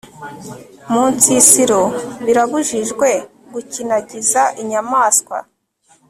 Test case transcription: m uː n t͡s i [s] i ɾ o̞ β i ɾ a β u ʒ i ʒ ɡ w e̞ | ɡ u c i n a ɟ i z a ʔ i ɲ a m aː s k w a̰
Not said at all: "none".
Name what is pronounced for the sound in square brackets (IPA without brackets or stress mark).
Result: s